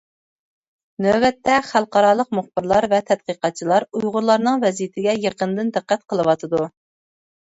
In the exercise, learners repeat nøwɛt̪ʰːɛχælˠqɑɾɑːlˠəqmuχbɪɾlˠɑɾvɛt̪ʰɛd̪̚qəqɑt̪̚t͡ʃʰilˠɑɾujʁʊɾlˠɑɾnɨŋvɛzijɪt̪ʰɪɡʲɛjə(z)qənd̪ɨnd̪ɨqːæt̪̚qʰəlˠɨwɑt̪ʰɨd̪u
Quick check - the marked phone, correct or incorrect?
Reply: incorrect